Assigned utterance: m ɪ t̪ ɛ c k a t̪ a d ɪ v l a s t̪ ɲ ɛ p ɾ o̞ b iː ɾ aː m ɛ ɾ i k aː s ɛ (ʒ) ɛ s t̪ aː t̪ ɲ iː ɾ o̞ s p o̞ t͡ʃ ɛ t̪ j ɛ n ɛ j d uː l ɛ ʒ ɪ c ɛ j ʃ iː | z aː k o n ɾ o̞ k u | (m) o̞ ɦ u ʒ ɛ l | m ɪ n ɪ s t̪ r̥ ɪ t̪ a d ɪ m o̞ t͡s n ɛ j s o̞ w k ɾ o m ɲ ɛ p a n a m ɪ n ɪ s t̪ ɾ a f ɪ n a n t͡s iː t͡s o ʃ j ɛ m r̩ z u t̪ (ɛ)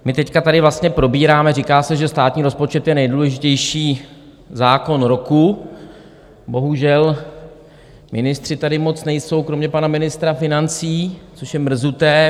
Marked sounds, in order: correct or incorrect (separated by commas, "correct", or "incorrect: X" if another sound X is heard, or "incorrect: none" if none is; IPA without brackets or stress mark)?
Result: correct, incorrect: b, incorrect: ɛː